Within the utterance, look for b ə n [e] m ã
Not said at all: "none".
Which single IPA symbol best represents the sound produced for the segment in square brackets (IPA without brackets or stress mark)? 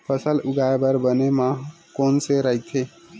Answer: e